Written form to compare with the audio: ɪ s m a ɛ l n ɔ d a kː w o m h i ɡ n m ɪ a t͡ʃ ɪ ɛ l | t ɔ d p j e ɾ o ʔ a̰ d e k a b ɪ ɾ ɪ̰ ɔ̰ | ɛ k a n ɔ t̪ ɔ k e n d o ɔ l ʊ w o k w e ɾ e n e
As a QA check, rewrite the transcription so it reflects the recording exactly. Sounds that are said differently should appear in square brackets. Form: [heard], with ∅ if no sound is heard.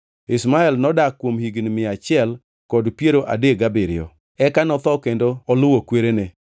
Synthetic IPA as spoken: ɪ s m a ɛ l n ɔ d a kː w o m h i ɡ n m ɪ a t͡ʃ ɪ ɛ l | [k] ɔ d p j e ɾ o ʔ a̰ d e [ɡ] a b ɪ ɾ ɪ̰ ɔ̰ | ɛ k a n ɔ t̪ ɔ k e n d o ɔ l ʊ w o k w e ɾ e n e